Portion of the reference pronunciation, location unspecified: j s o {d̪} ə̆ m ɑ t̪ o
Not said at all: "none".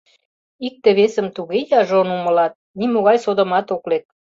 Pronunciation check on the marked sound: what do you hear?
d̪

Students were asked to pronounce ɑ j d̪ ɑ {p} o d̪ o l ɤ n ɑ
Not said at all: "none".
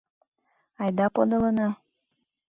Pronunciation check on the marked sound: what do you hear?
p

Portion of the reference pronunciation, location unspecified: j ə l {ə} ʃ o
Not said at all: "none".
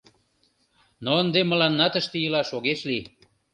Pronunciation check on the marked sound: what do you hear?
ɑ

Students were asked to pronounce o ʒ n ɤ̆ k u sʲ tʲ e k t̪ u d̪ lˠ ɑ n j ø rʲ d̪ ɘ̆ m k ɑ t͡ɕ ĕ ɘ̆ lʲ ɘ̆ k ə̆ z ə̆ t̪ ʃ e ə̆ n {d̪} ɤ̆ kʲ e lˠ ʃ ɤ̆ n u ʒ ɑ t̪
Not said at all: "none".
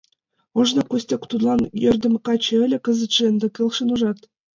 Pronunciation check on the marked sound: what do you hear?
d̪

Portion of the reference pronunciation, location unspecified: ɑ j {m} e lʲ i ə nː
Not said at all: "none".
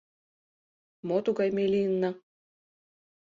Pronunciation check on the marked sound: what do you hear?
m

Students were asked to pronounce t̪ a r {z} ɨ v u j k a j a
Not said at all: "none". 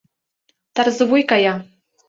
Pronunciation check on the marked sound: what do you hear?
z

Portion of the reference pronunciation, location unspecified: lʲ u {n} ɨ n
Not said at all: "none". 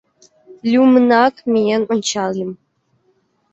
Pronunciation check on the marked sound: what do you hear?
m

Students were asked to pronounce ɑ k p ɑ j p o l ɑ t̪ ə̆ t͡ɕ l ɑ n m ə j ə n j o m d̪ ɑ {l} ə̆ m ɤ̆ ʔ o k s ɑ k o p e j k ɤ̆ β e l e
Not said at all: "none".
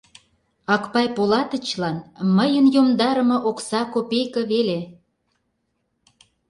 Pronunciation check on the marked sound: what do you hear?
ɾ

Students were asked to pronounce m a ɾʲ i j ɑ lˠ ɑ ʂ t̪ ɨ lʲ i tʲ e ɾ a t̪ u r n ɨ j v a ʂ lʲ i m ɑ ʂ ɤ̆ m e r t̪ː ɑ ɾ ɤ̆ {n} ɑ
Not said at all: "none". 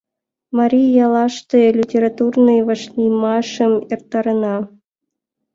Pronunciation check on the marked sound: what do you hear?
n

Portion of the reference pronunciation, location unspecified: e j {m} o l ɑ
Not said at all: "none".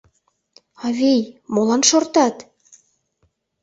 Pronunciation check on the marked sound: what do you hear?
m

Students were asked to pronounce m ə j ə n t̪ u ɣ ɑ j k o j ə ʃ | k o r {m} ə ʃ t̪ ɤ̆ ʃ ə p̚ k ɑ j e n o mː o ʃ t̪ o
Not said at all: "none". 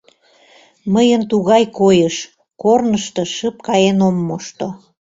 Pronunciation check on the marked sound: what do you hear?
n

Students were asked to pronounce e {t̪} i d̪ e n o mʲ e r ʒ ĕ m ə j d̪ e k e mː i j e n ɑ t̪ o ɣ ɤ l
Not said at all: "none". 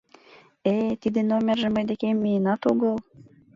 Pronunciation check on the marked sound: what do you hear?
t̪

